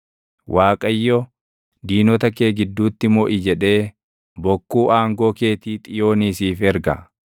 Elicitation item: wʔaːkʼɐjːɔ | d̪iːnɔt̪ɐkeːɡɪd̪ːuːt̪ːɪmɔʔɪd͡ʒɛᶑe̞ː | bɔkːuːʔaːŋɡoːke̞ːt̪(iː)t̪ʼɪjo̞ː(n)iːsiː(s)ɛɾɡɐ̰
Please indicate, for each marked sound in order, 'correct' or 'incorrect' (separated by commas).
correct, correct, incorrect